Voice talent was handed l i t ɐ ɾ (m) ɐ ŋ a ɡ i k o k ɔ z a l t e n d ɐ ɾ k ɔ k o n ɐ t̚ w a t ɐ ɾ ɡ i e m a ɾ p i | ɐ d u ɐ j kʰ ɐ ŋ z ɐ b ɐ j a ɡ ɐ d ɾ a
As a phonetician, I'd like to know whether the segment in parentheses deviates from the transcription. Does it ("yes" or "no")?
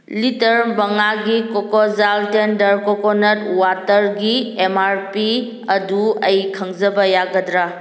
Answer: yes